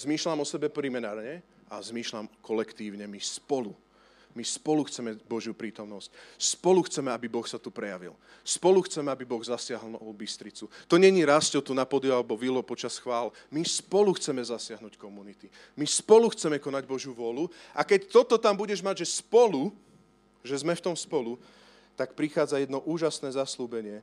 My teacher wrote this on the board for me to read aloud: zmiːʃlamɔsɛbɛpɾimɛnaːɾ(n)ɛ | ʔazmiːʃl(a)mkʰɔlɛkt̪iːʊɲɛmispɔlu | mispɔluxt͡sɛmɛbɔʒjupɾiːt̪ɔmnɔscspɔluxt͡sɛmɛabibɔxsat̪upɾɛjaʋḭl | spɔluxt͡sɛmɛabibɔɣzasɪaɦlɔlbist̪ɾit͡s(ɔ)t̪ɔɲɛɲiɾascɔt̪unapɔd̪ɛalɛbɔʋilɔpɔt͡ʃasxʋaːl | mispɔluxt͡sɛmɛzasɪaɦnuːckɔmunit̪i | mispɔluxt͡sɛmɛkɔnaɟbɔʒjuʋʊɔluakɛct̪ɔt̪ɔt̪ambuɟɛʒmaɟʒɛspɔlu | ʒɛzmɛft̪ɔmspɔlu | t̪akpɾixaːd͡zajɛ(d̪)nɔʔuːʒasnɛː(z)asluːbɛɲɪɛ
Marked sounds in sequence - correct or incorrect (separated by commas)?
incorrect, correct, incorrect, correct, correct